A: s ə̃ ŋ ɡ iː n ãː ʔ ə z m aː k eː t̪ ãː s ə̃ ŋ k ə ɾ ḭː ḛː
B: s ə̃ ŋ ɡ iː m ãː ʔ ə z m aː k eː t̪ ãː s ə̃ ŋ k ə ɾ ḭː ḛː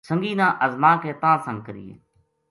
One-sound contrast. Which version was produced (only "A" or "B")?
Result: A